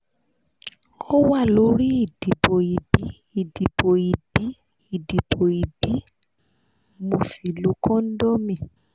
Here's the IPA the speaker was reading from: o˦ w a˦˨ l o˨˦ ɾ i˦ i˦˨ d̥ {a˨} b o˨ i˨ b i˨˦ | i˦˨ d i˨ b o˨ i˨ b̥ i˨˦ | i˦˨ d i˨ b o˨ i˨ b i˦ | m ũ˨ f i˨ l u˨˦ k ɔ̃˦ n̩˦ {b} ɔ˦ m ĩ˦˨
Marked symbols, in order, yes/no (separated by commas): no, no